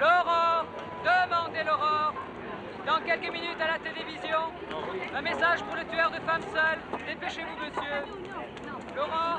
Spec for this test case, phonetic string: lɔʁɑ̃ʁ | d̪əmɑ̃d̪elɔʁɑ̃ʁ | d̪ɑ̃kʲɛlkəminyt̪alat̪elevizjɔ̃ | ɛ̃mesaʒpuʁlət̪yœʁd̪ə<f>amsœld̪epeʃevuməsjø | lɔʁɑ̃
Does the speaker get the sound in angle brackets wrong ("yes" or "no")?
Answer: no